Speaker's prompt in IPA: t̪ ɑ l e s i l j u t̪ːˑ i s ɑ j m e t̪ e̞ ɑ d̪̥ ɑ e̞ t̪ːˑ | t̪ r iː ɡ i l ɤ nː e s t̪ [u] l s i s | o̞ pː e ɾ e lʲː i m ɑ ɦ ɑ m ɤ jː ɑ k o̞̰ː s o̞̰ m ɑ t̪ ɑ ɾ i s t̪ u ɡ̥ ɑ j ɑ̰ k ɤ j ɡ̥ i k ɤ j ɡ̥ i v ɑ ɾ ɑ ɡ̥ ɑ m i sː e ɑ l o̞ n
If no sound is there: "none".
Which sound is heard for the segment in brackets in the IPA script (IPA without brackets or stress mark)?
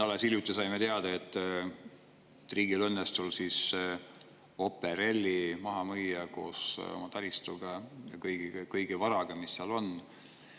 u